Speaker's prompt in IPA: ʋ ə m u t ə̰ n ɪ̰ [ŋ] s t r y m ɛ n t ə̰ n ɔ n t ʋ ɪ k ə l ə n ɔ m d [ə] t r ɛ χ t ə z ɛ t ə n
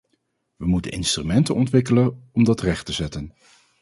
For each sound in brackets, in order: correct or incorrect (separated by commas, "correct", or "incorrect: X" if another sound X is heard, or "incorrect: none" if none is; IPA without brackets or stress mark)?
incorrect: n, incorrect: ɑ